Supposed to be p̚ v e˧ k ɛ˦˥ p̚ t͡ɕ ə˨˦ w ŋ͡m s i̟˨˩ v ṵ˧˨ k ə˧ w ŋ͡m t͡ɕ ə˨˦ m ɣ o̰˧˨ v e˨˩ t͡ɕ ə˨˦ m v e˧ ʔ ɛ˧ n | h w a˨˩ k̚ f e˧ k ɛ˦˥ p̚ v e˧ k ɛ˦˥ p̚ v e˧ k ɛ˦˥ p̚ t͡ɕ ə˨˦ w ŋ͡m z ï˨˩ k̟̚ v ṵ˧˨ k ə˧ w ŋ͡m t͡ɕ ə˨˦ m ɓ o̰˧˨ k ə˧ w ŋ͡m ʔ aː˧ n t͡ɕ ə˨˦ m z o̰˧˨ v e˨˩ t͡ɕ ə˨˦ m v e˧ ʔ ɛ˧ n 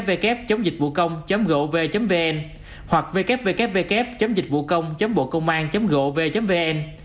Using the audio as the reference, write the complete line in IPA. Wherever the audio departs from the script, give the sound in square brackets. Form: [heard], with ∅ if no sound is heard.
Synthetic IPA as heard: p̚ v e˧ k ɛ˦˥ p̚ t͡ɕ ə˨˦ w ŋ͡m [z] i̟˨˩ v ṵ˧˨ k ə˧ w ŋ͡m t͡ɕ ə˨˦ m ɣ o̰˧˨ v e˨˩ t͡ɕ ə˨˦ m v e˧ ʔ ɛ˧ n | h w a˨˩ k̚ [v] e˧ k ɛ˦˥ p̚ v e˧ k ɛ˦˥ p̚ v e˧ k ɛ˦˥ p̚ t͡ɕ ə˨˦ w ŋ͡m z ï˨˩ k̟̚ v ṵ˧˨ k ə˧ w ŋ͡m t͡ɕ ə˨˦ m ɓ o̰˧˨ k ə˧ w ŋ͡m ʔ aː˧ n t͡ɕ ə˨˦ m [ɣ] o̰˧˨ v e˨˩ t͡ɕ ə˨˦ m v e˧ ʔ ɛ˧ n